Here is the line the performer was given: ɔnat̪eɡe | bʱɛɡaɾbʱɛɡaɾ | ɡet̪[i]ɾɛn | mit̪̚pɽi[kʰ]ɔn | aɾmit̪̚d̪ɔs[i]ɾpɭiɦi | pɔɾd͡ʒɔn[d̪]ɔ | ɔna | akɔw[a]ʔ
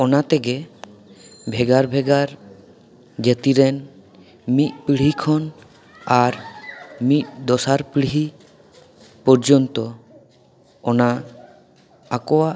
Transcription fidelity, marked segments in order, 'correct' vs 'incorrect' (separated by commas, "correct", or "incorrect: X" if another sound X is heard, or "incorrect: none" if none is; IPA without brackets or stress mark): correct, correct, incorrect: a, incorrect: t̪, correct